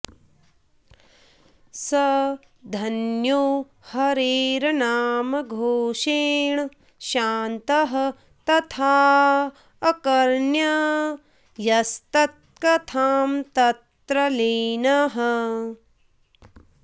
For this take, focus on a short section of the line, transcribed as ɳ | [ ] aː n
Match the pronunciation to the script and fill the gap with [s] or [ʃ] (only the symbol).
ʃ